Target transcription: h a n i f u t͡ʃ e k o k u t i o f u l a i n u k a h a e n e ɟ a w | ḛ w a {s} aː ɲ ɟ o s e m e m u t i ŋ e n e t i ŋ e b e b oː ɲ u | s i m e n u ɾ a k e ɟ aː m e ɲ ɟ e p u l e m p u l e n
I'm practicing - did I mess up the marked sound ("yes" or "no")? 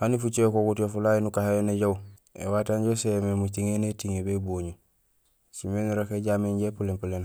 yes